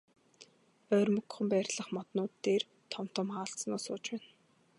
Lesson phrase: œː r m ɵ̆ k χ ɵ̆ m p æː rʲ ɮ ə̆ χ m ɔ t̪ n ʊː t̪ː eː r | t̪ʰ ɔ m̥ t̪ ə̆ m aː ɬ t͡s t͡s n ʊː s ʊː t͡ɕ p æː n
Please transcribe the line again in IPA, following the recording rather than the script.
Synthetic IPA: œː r m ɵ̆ k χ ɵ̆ m p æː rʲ ɮ ə̆ χ m ɔ t̪ n ʊː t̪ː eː r | t̪ʰ ɔ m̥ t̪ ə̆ m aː ɬ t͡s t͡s n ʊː s ʊː t͡ɕ p æː n